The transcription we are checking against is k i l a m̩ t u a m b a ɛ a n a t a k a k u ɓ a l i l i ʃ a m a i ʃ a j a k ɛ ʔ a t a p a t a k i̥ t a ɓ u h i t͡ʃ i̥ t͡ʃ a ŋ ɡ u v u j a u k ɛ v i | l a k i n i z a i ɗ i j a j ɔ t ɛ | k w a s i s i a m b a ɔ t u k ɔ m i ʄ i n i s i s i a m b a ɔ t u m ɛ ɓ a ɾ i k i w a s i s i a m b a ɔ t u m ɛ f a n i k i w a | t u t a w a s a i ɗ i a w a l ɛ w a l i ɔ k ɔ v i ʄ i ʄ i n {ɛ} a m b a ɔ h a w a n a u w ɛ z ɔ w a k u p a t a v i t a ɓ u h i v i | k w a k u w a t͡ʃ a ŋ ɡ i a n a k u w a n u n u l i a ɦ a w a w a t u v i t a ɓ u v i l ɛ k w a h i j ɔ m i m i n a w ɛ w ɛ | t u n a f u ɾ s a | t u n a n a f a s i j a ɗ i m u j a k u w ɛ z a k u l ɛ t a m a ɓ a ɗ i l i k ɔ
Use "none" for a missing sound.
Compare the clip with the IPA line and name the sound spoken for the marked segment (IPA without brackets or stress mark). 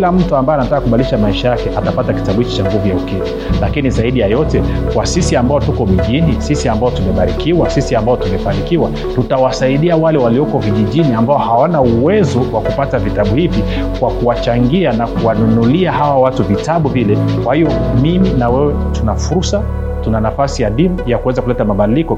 i